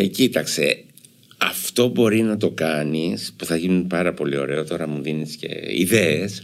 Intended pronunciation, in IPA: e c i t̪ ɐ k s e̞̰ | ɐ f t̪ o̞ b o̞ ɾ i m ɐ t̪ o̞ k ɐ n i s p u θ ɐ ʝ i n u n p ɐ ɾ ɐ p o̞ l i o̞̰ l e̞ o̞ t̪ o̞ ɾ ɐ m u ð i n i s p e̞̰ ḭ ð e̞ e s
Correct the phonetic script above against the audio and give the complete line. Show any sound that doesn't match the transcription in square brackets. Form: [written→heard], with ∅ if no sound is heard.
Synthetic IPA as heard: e c i t̪ ɐ k s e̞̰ | ɐ f t̪ o̞ b o̞ ɾ i [m→n] ɐ t̪ o̞ k ɐ n i s p u θ ɐ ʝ i n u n p ɐ ɾ ɐ p o̞ l i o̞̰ [l→ɾ] e̞ o̞ t̪ o̞ ɾ ɐ m u ð i n i s [p→c] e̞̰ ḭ ð e̞ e s